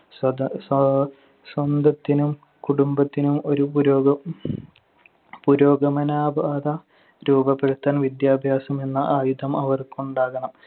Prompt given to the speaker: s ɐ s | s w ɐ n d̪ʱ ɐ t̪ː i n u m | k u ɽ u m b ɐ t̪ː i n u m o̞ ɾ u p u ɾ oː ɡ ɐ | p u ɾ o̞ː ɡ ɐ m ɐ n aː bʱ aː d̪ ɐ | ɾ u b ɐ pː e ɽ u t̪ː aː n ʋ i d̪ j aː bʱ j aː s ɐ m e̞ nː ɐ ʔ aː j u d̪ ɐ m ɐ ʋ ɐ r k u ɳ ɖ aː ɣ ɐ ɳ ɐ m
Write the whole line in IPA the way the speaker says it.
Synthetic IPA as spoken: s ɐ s | s w ɐ n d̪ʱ ɐ t̪ː i n u m | k u ɽ u m b ɐ t̪ː i n u m o̞ ɾ u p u ɾ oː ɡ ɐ | p u ɾ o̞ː ɡ ɐ m ɐ n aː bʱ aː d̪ ɐ | ɾ uː b ɐ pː e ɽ u t̪ː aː n ʋ i d̪ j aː bʱ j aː s ɐ m e̞ nː ɐ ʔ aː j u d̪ ɐ m ɐ ʋ ɐ r k u ɳ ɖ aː ɣ ɐ ɳ ɐ m